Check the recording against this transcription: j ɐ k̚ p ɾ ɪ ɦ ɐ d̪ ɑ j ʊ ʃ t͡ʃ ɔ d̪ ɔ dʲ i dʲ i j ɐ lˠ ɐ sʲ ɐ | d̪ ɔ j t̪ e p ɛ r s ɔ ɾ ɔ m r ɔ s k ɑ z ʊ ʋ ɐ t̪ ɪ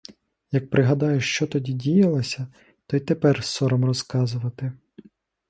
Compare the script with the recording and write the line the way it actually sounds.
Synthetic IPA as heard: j ɐ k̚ p ɾ ɪ ɦ ɐ d̪ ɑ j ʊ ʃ t͡ʃ ɔ t̪ ɔ dʲ i dʲ i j ɐ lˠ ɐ sʲ ɐ | t̪ ɔ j t̪ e p ɛ r s ɔ ɾ ɔ m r ɔ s k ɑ z ʊ ʋ ɐ t̪ ɪ